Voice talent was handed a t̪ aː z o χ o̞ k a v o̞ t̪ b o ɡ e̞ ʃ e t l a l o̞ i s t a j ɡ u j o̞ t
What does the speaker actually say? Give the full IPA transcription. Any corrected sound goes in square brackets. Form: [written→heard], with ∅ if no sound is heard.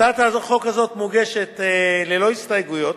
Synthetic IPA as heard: a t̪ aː z o χ o̞ k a [v→z] o̞ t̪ [b→m] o ɡ e̞ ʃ e t l [a→e] l o̞ i s t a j ɡ u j o̞ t